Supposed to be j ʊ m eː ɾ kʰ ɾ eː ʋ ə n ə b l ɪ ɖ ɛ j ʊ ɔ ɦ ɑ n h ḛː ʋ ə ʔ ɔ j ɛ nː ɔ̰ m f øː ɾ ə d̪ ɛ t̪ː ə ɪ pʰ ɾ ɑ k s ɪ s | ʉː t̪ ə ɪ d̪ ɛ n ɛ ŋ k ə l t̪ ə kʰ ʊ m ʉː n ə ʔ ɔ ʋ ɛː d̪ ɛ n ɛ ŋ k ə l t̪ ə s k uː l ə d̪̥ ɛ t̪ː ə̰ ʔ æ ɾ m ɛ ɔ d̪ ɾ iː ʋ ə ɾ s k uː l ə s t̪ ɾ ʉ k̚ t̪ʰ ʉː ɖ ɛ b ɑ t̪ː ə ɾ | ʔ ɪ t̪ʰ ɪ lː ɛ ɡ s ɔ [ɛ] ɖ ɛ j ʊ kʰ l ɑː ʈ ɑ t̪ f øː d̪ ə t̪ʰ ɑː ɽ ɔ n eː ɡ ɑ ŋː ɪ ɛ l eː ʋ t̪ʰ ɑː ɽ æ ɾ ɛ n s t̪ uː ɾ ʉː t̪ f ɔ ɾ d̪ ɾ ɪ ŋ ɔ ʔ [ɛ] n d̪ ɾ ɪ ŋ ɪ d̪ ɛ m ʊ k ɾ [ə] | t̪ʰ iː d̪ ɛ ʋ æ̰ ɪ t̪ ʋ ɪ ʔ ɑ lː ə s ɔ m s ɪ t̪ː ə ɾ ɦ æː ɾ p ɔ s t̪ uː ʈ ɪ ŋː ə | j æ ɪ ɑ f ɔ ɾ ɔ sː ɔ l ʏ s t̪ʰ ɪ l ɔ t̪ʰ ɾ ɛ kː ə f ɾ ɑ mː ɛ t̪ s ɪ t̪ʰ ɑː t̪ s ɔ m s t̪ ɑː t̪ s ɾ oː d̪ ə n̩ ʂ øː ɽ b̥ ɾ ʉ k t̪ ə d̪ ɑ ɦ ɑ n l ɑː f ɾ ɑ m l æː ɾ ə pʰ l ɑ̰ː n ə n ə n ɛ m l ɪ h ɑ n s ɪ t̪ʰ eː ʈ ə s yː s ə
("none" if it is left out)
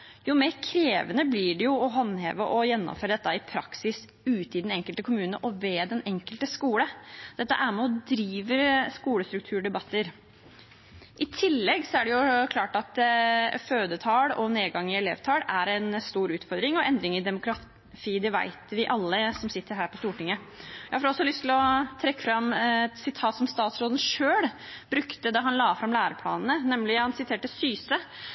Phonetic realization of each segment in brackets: æ, ɛ, ɑ

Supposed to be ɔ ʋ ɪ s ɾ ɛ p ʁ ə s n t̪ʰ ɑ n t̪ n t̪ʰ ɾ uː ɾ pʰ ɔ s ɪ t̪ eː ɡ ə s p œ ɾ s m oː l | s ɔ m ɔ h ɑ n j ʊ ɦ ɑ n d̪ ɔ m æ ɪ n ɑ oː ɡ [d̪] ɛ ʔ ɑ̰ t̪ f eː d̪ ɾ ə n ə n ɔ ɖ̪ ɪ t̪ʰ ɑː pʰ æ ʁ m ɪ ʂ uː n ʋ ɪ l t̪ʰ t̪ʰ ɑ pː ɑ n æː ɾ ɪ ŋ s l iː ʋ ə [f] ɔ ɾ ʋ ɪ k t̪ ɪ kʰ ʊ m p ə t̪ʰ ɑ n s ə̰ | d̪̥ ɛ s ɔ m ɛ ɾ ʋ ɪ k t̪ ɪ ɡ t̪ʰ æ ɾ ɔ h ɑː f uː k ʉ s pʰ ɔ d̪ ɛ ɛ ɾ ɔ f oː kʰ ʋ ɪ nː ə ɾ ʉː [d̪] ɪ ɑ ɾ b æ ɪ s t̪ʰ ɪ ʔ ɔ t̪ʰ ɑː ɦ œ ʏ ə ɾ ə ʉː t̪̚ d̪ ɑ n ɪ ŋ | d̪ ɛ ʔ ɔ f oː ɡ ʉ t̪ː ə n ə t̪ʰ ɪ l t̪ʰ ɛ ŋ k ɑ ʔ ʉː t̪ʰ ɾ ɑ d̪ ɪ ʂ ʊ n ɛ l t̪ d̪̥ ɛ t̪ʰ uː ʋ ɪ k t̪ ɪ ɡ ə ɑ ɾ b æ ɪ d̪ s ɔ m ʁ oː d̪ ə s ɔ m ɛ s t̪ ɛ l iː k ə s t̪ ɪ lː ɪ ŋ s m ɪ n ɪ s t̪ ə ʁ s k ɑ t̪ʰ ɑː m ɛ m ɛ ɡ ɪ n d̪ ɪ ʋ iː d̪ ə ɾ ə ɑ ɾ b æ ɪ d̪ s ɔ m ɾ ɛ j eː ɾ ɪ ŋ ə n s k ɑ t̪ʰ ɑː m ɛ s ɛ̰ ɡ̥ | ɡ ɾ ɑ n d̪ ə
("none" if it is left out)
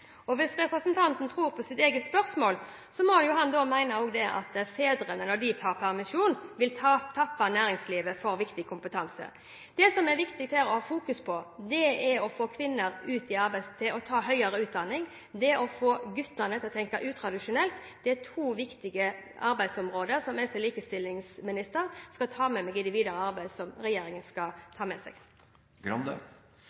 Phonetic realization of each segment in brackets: d̪, f, t̪

